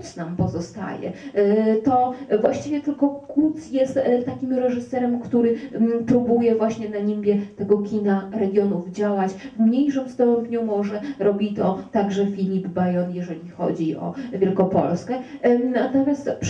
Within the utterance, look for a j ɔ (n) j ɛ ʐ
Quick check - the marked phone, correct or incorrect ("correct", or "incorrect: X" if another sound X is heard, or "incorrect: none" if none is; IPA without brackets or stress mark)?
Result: correct